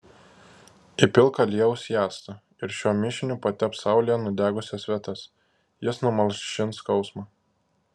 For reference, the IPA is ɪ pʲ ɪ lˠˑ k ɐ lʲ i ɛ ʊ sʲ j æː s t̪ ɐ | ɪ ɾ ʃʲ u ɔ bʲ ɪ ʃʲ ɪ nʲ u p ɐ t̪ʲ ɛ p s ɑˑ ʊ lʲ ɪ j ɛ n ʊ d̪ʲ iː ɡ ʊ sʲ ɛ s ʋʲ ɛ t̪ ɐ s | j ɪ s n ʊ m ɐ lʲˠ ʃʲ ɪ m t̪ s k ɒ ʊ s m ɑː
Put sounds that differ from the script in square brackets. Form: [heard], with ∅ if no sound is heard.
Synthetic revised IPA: ɪ pʲ ɪ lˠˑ k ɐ lʲ i ɛ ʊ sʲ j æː s t̪ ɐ | ɪ ɾ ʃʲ u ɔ [mʲ] ɪ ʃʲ ɪ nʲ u p ɐ t̪ʲ ɛ p s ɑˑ ʊ lʲ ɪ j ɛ n ʊ d̪ʲ [æː] ɡ ʊ sʲ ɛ s ʋʲ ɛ t̪ ɐ s | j ɪ s n ʊ m ɐ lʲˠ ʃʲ ɪ [n] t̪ s k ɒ ʊ s m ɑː